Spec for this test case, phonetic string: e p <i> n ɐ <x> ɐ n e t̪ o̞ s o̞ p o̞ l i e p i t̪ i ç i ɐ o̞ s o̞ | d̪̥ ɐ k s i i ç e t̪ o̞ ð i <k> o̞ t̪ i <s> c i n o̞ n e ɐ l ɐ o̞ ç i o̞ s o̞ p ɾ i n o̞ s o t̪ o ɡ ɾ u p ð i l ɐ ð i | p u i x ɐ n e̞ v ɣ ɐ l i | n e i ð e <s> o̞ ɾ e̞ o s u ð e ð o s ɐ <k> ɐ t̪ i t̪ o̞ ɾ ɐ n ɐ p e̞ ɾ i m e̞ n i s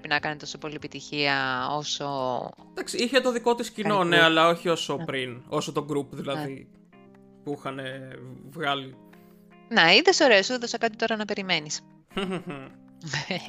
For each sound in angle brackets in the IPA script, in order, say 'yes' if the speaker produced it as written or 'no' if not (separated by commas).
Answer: yes, no, yes, yes, yes, yes